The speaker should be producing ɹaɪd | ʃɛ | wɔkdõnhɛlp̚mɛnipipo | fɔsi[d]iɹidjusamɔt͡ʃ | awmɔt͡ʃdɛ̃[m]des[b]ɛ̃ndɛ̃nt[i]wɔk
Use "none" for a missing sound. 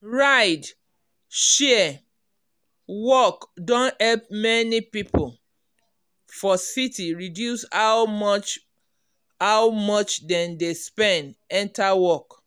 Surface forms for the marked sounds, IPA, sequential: t, n, p, a

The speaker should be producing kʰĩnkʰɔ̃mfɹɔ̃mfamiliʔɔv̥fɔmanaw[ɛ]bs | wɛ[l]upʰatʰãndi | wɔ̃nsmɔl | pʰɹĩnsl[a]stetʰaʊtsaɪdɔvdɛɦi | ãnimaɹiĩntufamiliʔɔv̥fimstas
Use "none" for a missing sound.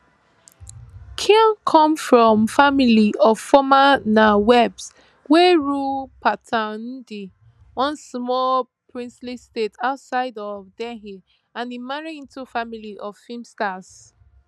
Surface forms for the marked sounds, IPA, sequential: ɛ, ɹ, i

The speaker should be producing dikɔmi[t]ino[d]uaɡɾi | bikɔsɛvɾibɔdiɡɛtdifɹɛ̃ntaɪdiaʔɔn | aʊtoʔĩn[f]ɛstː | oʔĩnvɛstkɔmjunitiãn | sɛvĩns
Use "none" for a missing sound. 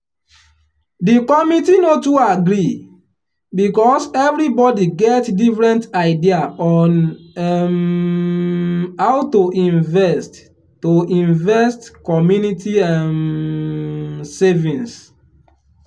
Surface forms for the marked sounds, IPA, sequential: t, t, v

